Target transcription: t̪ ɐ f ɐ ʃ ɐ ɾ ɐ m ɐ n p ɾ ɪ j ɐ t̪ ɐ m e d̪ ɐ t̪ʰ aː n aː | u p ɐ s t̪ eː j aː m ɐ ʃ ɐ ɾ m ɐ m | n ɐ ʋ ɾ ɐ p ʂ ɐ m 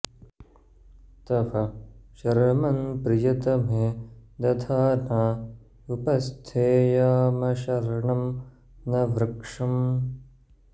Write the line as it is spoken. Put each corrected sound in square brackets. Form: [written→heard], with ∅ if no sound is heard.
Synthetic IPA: t̪ ɐ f ɐ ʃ ɐ ɾ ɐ m ɐ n p ɾ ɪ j ɐ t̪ ɐ m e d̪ ɐ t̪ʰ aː n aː | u p ɐ s [t̪→t̪ʰ] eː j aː m ɐ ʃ ɐ ɾ [m→ɳ] ɐ m | n ɐ ʋ ɾ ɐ [p→k] ʂ ɐ m